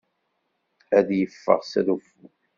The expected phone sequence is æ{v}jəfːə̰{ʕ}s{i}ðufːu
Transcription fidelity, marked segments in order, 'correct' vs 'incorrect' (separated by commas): incorrect, incorrect, incorrect